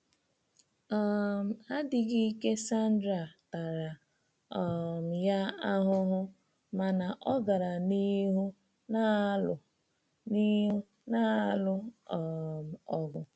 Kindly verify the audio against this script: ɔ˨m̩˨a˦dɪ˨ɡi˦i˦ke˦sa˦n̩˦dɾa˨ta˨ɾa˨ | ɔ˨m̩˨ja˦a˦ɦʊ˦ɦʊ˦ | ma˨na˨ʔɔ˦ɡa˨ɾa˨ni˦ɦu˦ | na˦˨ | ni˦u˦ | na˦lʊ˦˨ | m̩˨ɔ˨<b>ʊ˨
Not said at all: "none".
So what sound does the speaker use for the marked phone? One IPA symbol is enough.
ɡ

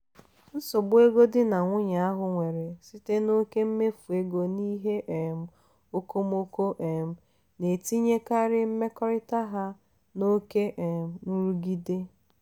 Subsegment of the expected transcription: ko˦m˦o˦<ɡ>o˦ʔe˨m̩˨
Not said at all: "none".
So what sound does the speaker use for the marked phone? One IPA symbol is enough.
k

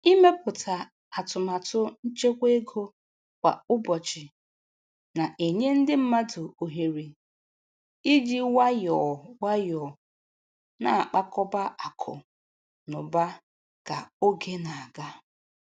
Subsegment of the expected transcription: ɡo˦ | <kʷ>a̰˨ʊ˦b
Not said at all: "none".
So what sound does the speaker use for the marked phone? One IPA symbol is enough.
kʷ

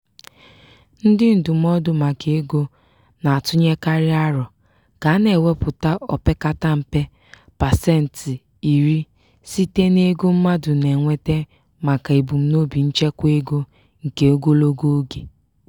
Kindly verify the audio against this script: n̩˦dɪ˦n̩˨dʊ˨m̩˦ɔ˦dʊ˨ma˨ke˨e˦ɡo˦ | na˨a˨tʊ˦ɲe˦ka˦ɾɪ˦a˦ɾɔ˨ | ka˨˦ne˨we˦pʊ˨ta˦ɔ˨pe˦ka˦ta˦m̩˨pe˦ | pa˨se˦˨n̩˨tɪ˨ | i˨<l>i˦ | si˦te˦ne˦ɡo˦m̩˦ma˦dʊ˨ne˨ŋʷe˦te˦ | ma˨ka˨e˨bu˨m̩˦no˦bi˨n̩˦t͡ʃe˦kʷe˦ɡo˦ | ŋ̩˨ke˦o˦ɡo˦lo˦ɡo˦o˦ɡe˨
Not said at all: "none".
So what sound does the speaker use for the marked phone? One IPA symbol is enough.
ɾ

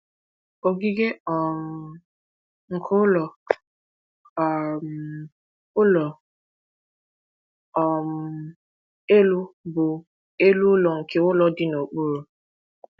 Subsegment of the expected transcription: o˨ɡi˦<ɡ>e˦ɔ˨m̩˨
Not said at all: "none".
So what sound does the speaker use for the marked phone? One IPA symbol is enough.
ɡ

